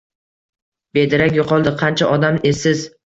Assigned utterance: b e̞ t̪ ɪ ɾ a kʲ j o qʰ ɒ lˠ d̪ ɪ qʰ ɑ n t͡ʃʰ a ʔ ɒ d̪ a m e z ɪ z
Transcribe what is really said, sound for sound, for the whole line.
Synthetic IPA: b e̞ d̪ ɪ ɾ a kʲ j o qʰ ɒ lˠ d̪ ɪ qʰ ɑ n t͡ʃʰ a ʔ ɒ d̪ a m e s ɪ z